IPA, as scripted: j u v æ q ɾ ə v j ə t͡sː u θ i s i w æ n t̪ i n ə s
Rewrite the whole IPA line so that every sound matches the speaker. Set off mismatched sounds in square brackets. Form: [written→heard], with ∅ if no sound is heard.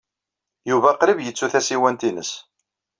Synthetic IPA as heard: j u v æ q ɾ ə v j ə t͡sː u θ [i→æ] s i w æ n t̪ i n ə s